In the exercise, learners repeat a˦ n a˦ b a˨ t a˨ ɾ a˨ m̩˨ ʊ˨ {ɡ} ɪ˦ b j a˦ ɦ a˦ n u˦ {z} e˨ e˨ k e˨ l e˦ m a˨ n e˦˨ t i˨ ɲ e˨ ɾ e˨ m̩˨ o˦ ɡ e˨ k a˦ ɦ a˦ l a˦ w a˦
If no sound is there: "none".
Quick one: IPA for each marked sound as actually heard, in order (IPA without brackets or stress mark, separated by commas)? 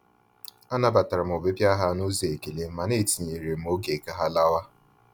b, z